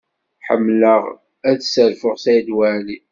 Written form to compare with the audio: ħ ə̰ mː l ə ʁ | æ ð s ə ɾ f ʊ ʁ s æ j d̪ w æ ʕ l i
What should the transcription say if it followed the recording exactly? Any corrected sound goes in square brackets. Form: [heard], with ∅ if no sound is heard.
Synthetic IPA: ħ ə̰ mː l ə ʁ | æ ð s ə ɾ f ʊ ʁ s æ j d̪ w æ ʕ l i